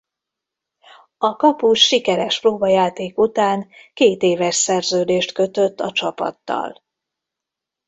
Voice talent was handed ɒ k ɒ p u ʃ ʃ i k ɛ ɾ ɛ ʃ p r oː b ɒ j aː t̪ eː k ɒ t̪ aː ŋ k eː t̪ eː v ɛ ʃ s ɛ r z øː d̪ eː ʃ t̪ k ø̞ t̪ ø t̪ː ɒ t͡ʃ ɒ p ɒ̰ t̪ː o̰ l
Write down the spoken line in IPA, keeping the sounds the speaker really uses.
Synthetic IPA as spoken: ɒ k ɒ p u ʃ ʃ i k ɛ ɾ ɛ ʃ p r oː b ɒ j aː t̪ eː k u t̪ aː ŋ k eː t̪ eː v ɛ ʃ s ɛ r z øː d̪ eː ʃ t̪ k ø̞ t̪ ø t̪ː ɒ t͡ʃ ɒ p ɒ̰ t̪ː ɒ̰ l